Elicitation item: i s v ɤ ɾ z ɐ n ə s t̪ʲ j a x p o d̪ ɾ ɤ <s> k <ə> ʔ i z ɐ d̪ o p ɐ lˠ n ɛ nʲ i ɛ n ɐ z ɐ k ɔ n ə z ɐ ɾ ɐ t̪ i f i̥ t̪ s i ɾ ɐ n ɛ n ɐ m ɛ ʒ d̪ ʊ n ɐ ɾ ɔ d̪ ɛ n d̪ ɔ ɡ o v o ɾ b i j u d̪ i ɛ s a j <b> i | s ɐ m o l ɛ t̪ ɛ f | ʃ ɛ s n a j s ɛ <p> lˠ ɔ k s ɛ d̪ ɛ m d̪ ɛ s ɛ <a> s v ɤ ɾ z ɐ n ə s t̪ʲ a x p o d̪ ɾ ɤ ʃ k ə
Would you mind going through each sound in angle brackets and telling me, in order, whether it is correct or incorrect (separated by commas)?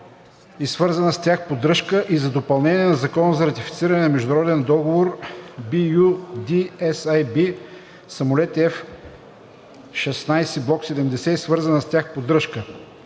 incorrect, correct, correct, incorrect, incorrect